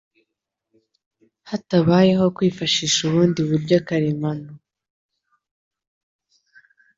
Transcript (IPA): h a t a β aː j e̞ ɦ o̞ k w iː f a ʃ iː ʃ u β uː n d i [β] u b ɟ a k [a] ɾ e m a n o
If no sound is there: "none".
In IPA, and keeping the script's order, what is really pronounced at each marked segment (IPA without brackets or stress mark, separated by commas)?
β, a